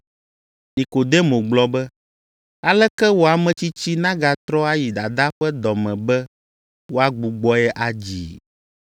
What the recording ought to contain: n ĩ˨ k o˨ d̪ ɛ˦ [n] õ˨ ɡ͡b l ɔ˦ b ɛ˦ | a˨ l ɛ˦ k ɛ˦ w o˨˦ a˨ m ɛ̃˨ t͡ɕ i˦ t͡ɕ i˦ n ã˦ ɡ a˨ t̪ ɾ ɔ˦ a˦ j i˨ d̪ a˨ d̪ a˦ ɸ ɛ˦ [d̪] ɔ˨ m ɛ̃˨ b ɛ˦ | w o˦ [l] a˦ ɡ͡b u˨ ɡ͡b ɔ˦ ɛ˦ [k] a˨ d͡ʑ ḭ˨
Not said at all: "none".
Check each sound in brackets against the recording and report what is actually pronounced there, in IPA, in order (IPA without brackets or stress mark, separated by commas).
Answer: m, d̪, none, ʔ